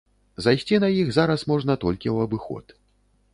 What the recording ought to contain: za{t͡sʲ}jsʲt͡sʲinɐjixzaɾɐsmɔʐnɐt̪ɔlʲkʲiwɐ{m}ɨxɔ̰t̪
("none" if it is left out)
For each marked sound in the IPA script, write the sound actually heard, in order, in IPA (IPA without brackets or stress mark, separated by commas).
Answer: none, b